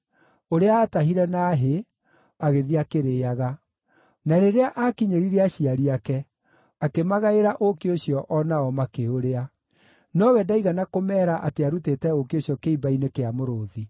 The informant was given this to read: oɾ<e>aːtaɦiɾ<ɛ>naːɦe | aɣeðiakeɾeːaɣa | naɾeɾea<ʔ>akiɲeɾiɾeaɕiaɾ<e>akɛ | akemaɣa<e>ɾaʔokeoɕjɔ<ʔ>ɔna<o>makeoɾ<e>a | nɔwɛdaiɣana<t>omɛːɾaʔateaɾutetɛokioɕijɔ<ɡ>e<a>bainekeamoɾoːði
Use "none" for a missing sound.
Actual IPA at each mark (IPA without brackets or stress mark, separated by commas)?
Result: e, ɛ, ʔ, i, e, ʔ, ɔ, e, k, k, i